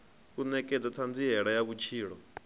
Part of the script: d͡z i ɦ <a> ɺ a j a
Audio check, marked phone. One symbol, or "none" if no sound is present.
ɛ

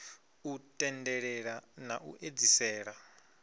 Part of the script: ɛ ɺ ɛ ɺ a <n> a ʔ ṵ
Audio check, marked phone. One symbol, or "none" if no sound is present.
n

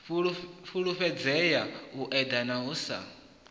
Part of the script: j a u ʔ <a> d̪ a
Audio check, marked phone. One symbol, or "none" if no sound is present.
ɛ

